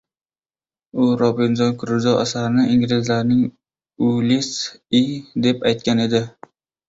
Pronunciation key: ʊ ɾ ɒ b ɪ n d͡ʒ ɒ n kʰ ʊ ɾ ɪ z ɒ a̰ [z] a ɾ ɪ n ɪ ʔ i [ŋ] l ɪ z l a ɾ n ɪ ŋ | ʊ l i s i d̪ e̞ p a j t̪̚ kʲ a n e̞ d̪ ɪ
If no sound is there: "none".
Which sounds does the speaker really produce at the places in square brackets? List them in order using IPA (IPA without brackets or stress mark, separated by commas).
s, ŋ